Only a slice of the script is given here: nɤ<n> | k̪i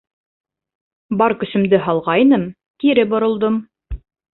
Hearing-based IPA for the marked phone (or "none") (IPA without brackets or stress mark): m